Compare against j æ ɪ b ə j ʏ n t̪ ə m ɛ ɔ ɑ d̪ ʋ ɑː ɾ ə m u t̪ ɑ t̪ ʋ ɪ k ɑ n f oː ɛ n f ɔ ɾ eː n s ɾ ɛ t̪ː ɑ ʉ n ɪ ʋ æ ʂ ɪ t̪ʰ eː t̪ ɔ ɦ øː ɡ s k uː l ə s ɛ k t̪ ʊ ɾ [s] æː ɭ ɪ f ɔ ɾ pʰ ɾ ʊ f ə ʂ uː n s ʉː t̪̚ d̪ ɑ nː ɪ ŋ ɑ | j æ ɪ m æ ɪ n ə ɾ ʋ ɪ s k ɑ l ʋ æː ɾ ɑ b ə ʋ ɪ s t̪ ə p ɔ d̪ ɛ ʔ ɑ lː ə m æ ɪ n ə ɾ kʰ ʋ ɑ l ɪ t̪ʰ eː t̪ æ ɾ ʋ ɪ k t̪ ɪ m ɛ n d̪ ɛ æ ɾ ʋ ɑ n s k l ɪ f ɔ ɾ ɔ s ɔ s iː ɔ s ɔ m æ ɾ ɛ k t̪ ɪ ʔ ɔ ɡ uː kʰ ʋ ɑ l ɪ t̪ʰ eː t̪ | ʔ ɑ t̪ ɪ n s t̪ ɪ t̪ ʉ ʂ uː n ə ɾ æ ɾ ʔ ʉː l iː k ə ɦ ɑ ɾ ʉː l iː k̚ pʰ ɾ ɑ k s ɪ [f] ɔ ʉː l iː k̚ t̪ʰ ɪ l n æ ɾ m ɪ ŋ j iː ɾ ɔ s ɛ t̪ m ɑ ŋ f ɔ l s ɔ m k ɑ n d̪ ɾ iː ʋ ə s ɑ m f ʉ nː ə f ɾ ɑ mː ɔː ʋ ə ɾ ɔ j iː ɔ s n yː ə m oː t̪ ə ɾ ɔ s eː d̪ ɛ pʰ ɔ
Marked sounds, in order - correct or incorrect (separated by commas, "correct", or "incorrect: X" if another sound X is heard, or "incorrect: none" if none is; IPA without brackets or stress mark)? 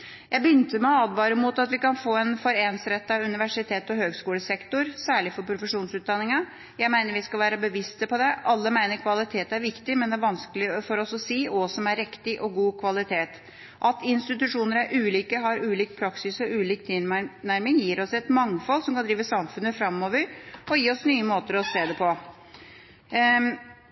correct, incorrect: s